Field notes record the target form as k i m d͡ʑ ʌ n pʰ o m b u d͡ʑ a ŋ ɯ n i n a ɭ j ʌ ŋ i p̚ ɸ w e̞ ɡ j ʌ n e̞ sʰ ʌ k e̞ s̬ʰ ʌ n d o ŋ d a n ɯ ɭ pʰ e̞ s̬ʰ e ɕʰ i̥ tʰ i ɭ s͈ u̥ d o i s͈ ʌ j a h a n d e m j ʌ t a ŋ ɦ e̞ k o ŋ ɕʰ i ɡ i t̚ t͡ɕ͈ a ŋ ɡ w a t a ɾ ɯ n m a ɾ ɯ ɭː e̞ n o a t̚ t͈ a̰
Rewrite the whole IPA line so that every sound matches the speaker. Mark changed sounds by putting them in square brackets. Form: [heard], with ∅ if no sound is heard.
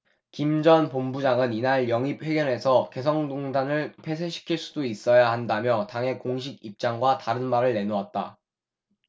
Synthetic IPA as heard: k i m d͡ʑ ʌ n [p] o m b u d͡ʑ a ŋ ɯ n i n a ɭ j ʌ ŋ i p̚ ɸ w e̞ ɡ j ʌ n e̞ sʰ ʌ k e̞ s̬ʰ ʌ [ŋ] d o ŋ d a n ɯ ɭ pʰ e̞ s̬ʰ e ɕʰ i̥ [kʰ] i ɭ s͈ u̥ d o i s͈ ʌ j a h a n d [a] m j ʌ t a ŋ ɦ e̞ k o ŋ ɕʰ i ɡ i [p̚] t͡ɕ͈ a ŋ ɡ w a t a ɾ ɯ n m a ɾ ɯ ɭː e̞ n o a t̚ t͈ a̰